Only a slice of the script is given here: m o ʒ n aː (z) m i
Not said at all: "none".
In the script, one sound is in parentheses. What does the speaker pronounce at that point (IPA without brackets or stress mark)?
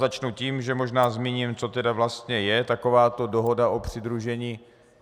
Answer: z